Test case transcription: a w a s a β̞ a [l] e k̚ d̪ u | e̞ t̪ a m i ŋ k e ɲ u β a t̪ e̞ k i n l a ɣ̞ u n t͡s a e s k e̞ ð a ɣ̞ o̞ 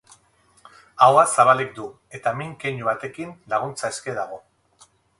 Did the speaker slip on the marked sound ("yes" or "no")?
no